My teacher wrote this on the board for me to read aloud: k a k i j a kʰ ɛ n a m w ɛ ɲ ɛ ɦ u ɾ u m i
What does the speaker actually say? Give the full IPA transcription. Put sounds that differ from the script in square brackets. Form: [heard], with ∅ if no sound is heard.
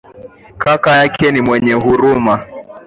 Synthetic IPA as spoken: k a k [a] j a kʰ ɛ n [i] m w ɛ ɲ ɛ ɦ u ɾ u m [a]